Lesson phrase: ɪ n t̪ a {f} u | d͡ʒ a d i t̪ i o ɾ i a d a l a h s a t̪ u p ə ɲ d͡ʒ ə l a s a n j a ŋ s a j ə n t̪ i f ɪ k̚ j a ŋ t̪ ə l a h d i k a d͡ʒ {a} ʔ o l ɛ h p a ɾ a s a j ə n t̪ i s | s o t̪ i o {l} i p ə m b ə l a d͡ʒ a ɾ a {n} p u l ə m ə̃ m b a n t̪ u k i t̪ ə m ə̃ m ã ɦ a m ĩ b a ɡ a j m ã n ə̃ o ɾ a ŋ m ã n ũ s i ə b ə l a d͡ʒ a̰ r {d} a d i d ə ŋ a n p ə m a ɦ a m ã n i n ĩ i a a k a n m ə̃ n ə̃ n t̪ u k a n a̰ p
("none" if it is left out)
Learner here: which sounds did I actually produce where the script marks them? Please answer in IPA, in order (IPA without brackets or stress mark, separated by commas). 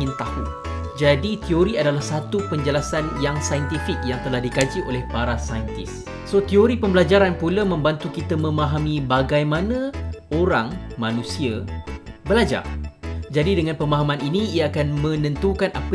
h, i, ɾ, n, d͡ʒ